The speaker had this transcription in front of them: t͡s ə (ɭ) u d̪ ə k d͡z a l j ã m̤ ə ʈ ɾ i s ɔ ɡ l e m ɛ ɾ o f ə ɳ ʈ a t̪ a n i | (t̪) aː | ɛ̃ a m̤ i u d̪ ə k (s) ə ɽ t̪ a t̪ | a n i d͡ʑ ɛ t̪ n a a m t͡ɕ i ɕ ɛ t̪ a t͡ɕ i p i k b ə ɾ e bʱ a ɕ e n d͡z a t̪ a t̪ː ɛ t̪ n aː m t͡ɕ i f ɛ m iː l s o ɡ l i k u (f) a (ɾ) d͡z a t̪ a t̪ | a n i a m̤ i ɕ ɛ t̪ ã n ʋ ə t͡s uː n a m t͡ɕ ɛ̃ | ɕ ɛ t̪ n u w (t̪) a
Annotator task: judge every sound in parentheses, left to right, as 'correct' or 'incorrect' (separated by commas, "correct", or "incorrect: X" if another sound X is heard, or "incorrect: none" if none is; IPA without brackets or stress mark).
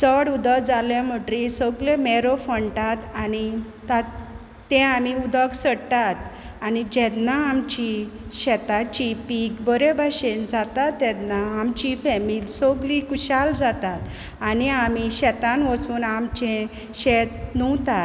incorrect: ɽ, correct, correct, incorrect: ɕ, incorrect: l, correct